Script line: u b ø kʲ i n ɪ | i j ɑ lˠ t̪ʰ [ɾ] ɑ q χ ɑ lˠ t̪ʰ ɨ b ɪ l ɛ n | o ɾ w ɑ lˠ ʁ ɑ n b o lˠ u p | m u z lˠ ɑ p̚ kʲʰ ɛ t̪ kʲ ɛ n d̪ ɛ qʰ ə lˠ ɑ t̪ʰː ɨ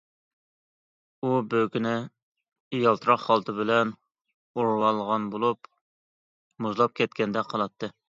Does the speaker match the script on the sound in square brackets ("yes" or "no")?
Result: yes